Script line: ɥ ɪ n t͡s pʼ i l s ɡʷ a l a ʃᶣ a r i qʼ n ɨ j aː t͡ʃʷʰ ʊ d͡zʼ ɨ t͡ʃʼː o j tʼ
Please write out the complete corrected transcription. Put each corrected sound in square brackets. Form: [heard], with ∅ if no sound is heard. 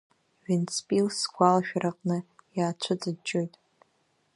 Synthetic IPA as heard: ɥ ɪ n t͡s pʼ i l s ɡʷ a l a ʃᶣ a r [a] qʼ n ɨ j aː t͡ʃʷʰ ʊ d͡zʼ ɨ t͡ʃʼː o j tʼ